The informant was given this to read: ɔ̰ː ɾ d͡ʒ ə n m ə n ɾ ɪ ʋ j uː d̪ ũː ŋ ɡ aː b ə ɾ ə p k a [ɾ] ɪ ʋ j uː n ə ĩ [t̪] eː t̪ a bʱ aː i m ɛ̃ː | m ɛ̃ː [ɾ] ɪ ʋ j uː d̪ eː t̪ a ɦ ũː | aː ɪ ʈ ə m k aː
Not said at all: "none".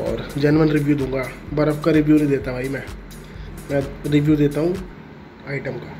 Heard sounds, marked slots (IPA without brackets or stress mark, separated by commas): ɾ, d̪, ɾ